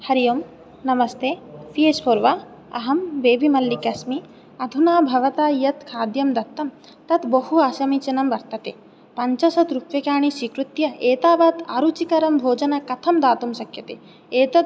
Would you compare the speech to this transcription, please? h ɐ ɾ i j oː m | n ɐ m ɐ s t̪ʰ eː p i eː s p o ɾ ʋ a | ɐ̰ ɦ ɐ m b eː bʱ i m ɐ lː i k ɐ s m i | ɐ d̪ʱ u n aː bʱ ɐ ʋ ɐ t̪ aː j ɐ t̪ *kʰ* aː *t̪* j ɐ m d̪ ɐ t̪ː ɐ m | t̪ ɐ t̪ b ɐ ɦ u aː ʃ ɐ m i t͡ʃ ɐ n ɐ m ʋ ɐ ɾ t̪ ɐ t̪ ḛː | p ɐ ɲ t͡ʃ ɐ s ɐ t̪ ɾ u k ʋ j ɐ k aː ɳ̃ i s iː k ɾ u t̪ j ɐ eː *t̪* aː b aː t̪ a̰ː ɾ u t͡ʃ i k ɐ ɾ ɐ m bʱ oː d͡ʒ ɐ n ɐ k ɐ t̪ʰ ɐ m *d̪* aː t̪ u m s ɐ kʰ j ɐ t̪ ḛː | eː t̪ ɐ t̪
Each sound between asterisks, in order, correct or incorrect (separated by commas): correct, incorrect, correct, correct